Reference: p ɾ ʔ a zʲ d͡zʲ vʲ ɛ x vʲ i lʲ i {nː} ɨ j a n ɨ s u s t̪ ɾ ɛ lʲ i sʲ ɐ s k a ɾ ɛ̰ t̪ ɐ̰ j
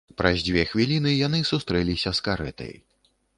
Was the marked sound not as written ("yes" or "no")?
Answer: yes